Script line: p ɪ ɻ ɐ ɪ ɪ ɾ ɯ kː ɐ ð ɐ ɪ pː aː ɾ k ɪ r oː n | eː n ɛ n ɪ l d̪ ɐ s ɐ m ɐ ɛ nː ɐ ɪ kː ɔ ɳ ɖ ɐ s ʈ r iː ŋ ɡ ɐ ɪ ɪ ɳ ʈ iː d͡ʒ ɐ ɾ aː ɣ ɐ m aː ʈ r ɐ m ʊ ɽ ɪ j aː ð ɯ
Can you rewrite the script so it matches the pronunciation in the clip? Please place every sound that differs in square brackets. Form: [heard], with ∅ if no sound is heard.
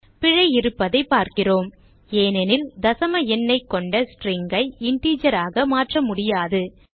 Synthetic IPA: p ɪ ɻ ɐ ɪ ɪ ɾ ɯ [pː] ɐ ð ɐ ɪ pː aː ɾ k ɪ r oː [m] | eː n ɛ n ɪ l d̪ ɐ s ɐ m ɐ ɛ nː ɐ ɪ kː ɔ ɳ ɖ ɐ s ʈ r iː ŋ ɡ ɐ ɪ ɪ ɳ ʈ iː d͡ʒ ɐ ɾ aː ɣ ɐ m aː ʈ r ɐ m ʊ ɽ ɪ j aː ð ɯ